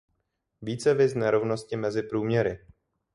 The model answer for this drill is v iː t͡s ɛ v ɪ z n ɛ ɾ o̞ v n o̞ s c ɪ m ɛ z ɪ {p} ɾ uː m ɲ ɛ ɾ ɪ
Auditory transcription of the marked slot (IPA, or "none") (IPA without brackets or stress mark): p